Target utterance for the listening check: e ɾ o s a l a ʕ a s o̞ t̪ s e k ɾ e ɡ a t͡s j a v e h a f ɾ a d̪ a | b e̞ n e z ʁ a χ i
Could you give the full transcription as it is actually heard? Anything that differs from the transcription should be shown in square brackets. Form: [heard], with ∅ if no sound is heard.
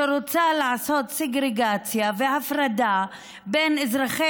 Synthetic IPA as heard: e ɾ o [t͡s] a l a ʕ a s o̞ t̪ s e [ɡ] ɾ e ɡ a t͡s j a v e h a f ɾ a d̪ a | b e̞ n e z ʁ a χ [e]